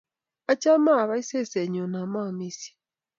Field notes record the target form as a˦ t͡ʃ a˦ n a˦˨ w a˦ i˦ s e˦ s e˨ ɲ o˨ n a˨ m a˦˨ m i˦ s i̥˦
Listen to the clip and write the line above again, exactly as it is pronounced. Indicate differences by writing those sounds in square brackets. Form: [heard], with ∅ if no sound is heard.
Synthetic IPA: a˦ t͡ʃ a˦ [m] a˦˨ [β] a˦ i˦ s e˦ s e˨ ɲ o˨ n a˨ m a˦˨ m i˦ s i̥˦